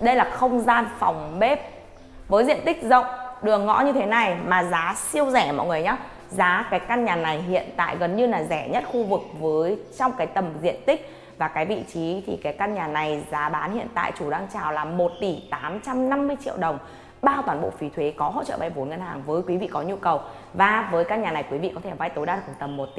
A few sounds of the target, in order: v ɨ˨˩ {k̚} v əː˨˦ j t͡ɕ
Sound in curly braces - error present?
no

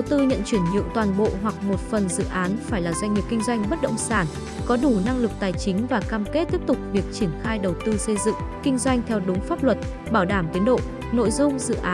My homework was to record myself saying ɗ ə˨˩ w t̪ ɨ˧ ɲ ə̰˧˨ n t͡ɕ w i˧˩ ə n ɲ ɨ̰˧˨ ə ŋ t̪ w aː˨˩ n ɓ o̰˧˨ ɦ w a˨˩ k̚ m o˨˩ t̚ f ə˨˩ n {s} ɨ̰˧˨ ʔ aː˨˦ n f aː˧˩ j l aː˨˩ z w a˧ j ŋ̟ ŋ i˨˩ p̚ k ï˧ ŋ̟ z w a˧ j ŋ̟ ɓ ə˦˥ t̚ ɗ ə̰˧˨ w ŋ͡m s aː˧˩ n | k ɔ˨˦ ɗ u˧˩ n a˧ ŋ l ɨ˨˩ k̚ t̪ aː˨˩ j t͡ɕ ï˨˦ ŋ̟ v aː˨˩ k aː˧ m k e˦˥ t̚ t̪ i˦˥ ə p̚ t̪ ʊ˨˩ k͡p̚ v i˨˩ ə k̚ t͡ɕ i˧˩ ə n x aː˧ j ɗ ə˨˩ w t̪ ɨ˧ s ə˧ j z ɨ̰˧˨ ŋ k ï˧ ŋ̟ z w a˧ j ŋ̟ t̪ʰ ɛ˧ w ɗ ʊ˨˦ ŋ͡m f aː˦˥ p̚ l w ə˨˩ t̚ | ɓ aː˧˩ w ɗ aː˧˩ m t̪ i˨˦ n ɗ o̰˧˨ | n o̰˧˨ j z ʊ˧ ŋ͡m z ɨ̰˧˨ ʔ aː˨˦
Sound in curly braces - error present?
yes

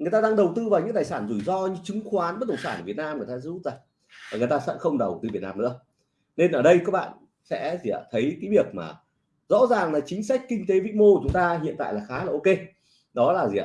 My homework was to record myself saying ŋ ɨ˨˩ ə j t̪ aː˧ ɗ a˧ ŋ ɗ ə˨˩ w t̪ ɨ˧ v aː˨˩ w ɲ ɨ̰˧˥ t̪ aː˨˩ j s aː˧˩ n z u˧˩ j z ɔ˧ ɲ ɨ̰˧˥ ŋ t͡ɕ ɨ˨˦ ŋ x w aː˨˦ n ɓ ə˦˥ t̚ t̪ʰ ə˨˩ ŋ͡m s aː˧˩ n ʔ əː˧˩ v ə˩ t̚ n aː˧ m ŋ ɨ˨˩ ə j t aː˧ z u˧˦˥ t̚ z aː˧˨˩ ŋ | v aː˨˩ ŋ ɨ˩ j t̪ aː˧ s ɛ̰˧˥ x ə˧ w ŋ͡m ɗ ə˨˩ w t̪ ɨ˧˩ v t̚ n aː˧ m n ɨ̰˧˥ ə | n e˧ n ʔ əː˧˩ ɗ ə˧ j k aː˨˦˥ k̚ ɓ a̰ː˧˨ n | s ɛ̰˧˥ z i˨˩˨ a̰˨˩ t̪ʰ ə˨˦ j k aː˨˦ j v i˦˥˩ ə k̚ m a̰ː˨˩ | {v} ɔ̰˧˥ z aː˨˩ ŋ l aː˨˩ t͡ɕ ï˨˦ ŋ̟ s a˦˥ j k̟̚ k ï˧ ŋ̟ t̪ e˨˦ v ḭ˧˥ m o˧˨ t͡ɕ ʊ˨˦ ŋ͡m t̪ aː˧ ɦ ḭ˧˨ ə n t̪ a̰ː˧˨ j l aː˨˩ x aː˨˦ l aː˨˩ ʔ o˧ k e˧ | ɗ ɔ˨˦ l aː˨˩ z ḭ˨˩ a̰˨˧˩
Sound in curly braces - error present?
yes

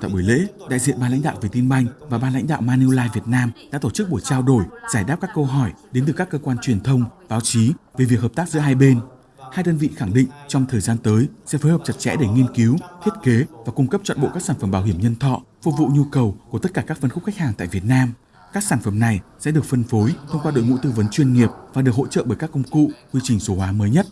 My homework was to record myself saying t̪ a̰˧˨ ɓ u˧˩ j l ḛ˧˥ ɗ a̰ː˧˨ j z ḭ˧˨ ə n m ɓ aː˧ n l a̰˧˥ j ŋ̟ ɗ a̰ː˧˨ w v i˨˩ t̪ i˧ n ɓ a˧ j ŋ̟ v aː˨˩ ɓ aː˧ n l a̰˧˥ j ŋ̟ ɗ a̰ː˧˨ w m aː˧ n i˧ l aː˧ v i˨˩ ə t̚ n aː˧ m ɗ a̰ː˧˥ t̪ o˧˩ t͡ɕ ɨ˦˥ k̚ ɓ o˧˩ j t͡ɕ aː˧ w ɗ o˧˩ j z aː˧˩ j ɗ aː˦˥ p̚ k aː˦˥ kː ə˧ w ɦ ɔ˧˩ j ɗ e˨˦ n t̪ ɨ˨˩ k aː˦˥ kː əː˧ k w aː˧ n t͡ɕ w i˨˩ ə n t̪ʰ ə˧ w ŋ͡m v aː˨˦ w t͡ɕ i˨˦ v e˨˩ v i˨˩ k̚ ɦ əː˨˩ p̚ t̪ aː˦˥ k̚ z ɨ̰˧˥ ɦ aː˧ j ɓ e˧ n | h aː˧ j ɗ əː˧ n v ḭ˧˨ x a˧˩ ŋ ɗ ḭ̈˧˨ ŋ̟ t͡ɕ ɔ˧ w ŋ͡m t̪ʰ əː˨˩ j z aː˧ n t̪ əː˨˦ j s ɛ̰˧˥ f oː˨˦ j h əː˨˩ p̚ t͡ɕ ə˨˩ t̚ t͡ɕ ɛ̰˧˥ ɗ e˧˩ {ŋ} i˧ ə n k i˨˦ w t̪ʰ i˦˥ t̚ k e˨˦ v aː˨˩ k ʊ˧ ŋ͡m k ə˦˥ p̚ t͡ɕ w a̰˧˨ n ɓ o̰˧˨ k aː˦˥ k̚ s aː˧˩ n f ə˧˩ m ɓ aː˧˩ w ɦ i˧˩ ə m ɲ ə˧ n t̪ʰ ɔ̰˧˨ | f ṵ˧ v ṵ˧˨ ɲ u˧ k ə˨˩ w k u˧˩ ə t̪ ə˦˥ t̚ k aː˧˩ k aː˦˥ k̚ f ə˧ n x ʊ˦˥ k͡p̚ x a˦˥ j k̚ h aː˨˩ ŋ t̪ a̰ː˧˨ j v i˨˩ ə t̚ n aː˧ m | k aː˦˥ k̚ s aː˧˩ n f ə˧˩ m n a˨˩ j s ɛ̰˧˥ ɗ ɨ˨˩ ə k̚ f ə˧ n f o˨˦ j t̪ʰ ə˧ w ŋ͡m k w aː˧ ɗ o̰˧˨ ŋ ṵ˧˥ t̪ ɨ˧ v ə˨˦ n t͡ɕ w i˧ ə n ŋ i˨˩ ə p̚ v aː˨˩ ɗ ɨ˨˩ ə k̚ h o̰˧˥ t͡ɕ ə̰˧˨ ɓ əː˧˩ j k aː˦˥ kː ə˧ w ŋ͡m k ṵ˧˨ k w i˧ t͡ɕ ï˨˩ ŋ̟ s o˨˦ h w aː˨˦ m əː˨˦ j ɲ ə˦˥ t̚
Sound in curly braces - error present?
no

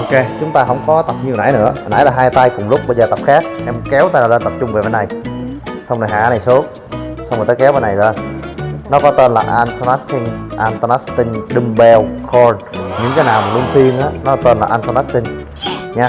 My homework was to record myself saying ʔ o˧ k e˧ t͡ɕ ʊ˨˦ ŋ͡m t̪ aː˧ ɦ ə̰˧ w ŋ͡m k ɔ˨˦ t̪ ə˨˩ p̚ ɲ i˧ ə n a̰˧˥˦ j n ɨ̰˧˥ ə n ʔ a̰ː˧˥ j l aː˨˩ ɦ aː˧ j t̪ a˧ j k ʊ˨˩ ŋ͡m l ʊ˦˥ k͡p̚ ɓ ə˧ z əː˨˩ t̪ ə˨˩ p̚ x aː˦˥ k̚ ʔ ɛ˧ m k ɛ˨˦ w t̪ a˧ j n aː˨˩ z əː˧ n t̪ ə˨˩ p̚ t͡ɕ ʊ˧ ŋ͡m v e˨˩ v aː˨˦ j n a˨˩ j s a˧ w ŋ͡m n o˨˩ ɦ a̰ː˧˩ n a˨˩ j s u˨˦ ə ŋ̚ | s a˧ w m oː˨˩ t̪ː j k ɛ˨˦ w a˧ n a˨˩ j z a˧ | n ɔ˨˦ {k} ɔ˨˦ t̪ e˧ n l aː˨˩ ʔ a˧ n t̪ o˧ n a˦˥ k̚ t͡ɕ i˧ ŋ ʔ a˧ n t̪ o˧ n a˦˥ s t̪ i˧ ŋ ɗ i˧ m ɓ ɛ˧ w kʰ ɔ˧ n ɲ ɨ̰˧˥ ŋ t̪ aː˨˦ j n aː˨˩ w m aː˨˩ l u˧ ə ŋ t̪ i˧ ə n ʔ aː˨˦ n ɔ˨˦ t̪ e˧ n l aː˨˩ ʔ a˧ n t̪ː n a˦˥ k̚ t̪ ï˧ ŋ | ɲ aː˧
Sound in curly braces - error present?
no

